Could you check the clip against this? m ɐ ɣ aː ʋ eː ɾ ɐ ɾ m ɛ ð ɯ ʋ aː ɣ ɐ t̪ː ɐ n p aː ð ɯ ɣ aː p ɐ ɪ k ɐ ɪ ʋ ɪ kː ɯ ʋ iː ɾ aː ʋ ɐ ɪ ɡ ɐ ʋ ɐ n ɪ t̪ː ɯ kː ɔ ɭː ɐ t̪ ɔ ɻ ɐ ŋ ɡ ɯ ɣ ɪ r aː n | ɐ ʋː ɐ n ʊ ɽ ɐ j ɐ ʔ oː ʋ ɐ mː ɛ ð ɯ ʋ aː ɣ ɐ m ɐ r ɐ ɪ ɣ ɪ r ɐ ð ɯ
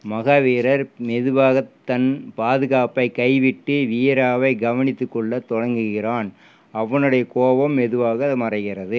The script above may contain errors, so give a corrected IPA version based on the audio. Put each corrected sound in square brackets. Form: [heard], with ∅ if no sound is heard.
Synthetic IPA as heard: m ɐ ɣ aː ʋ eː ɾ ɐ ɾ m ɛ ð ɯ ʋ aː ɣ ɐ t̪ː ɐ n p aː ð ɯ ɣ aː p ɐ ɪ k ɐ ɪ ʋ ɪ [ʈː] ɯ ʋ iː ɾ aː ʋ ɐ ɪ ɡ ɐ ʋ ɐ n ɪ t̪ː ɯ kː ɔ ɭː ɐ t̪ ɔ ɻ ɐ ŋ ɡ ɯ ɣ ɪ r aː n | ɐ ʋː ɐ n [ɯ] ɽ ɐ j ɐ [k] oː ʋ ɐ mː ɛ ð ɯ ʋ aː ɣ ɐ m ɐ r ɐ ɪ ɣ ɪ r ɐ ð ɯ